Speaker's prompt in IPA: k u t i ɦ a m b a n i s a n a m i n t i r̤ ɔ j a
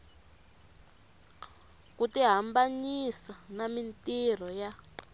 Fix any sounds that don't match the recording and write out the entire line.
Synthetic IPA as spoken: k u t i ɦ a m b a ɲ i s a n a m i n t i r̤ ɔ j a